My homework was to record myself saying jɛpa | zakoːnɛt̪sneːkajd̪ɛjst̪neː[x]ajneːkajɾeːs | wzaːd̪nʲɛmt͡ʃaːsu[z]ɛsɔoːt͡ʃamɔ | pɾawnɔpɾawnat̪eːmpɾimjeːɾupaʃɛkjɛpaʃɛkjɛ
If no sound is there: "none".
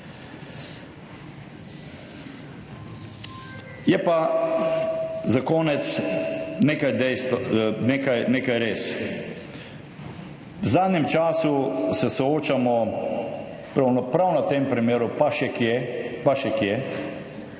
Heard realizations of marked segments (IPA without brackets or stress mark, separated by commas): k, s